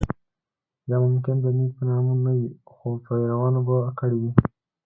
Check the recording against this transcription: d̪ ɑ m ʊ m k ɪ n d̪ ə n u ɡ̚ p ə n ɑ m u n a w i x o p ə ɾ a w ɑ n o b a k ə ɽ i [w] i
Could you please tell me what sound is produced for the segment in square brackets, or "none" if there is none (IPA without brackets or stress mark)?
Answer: w